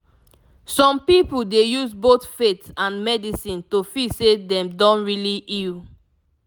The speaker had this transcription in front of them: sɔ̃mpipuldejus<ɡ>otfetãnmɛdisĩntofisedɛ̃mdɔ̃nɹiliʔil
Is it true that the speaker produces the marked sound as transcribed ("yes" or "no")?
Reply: no